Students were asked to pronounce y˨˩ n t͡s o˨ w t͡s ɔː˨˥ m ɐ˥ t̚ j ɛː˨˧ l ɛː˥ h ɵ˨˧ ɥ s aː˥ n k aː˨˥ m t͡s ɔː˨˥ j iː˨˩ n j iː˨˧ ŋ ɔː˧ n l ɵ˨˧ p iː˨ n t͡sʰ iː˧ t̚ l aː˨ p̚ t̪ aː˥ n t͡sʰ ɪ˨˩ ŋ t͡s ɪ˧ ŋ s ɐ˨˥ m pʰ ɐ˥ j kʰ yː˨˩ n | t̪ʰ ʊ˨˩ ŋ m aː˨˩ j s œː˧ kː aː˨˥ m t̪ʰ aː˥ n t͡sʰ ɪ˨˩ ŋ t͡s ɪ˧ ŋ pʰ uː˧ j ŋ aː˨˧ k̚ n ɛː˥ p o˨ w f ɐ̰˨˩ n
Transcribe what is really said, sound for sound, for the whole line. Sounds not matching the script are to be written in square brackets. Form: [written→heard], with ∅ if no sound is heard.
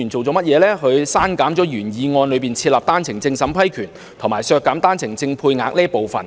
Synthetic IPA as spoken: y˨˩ n t͡s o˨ w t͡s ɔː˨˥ m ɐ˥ t̚ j ɛː˨˧ l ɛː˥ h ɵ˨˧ ɥ s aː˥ n k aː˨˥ m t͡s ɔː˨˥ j [iː˨˩→yː˨˩] n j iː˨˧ ŋ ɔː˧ n l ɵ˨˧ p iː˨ n t͡sʰ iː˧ t̚ l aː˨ p̚ t̪ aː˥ n t͡sʰ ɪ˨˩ ŋ t͡s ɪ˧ ŋ s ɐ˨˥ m pʰ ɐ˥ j kʰ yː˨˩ n | t̪ʰ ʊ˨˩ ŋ m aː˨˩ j s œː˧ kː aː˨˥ m [t̪ʰ→t̪] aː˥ n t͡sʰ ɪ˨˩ ŋ t͡s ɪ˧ ŋ pʰ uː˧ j ŋ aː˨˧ k̚ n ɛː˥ p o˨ w f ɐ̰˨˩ n